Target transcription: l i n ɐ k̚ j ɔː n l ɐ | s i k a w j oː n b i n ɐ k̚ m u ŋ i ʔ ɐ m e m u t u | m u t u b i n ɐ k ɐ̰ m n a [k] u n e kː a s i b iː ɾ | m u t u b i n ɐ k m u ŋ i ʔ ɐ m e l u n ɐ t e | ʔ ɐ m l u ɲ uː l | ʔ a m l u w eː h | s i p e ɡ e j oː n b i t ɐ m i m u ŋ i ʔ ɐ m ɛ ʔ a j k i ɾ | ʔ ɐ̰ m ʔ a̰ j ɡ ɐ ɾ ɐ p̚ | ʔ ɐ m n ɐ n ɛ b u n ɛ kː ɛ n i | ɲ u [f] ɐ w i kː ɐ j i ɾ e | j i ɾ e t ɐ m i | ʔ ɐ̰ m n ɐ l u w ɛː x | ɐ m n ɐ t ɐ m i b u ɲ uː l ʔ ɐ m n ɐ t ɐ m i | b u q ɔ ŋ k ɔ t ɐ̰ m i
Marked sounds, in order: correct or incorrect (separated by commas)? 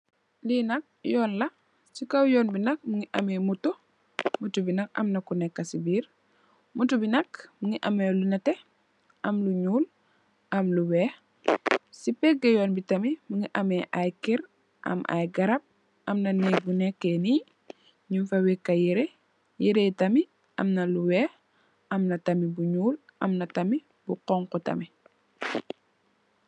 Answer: correct, correct